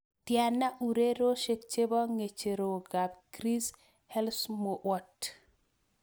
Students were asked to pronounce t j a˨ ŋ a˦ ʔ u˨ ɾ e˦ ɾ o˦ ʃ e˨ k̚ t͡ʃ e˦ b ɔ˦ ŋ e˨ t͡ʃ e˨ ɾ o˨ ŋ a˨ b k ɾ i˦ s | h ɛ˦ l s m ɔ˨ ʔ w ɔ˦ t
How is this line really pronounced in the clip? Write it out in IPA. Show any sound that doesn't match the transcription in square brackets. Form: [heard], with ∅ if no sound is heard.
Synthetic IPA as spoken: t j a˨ [n] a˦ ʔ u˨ ɾ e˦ ɾ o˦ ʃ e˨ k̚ t͡ʃ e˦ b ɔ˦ ŋ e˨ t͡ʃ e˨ ɾ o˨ [ɡ] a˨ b k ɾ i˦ s | h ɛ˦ l s m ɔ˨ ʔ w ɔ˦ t